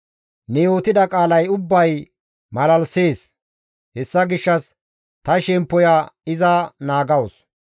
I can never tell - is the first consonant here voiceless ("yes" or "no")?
no